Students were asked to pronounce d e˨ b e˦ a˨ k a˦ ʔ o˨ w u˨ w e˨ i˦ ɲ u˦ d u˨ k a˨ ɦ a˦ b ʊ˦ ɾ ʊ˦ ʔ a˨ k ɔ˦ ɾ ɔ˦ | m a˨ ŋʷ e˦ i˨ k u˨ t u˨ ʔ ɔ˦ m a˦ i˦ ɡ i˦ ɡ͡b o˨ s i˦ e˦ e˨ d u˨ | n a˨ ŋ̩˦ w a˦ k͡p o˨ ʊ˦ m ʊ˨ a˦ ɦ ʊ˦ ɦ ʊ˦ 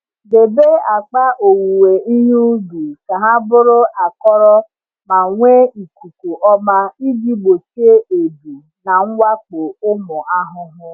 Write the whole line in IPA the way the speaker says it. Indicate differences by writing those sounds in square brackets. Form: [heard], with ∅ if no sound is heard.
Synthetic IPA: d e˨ b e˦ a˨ [k͡p] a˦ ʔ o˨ w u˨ w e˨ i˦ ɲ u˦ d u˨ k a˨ ɦ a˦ b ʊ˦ ɾ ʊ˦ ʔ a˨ k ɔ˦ ɾ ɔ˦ | m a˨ ŋʷ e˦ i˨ k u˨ [k] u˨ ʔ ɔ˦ m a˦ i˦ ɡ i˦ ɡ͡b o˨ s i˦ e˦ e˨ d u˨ | n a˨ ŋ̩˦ w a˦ k͡p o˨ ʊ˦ m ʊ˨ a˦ ɦ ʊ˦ ɦ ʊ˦